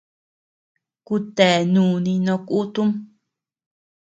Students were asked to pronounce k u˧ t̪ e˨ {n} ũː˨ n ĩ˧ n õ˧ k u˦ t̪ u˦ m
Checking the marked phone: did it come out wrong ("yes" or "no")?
no